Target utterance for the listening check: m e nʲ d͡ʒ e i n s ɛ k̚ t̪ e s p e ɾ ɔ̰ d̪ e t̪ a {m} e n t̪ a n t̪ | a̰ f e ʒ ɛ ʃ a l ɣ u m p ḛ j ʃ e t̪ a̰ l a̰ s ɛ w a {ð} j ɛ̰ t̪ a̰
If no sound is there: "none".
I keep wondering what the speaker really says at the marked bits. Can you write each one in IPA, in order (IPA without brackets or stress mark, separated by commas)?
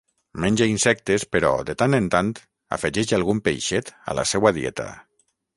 n, ð